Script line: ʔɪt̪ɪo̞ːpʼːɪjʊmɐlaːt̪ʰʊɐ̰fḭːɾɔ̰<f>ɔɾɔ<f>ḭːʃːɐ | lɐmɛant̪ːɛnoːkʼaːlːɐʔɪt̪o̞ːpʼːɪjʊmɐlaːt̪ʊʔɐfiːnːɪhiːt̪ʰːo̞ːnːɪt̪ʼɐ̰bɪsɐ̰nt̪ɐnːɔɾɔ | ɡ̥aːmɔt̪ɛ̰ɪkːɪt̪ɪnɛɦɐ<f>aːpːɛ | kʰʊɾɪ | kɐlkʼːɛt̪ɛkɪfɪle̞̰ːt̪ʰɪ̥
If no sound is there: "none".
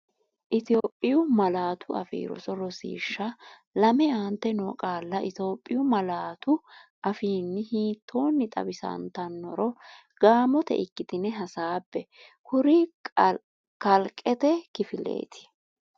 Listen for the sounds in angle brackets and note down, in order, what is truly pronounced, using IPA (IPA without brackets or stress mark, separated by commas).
s, s, s